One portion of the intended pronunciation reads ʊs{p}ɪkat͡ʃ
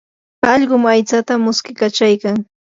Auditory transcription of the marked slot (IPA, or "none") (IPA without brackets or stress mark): k